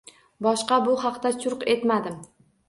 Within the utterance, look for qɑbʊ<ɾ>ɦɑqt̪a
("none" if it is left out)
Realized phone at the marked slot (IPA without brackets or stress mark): none